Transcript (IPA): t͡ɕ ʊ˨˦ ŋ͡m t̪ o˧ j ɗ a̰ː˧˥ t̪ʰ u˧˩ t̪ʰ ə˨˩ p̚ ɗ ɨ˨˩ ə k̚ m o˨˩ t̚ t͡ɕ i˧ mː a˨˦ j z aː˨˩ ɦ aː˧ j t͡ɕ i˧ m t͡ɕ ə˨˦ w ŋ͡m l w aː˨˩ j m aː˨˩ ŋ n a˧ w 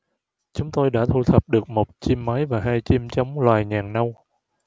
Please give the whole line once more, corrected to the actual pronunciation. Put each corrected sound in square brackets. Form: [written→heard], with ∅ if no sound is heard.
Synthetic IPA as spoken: t͡ɕ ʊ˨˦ ŋ͡m t̪ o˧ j ɗ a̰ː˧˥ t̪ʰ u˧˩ t̪ʰ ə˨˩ p̚ ɗ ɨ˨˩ ə k̚ m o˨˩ t̚ t͡ɕ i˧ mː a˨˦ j [z→v] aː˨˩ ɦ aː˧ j t͡ɕ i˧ m t͡ɕ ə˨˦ w ŋ͡m l w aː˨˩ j [m→ɲ] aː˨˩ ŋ n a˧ w